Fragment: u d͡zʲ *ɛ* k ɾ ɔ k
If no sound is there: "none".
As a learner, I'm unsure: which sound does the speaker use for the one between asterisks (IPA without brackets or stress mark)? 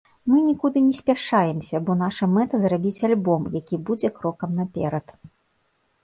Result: ɛ